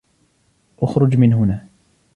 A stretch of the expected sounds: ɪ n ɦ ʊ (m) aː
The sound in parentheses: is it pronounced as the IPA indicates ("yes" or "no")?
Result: no